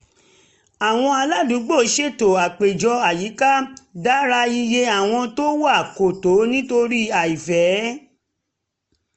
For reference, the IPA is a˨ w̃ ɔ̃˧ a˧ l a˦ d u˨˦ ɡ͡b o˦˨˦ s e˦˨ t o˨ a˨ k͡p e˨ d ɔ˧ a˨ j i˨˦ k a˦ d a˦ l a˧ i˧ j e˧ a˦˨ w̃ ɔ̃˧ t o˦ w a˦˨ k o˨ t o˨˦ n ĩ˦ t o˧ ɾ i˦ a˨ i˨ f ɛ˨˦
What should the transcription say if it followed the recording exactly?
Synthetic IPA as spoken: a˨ w̃ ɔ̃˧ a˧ l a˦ d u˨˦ ɡ͡b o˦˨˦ ʃ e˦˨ t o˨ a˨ k͡p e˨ d͡ʒ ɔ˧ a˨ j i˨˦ k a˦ d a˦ ɾ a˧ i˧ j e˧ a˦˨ w̃ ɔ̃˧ t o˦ w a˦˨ k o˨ t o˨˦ n ĩ˦ t o˧ ɾ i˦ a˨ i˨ f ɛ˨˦